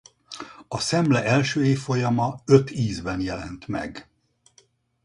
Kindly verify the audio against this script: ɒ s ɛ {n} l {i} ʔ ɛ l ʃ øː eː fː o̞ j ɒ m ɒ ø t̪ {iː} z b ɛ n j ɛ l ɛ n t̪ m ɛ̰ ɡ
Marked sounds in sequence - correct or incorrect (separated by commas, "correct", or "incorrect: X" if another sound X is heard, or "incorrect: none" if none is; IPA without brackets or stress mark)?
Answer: incorrect: m, incorrect: ɛ, correct